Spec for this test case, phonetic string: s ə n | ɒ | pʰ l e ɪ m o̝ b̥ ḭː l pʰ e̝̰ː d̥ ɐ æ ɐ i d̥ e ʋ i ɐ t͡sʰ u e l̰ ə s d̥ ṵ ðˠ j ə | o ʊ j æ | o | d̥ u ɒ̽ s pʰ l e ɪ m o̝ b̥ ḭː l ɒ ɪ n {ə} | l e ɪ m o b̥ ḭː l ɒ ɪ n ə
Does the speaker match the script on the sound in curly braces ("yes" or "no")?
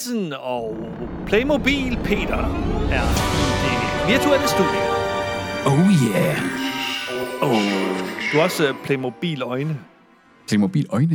yes